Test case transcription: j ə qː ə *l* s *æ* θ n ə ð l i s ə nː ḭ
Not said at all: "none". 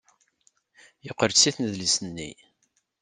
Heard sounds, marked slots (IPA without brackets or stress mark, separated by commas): ɾ, i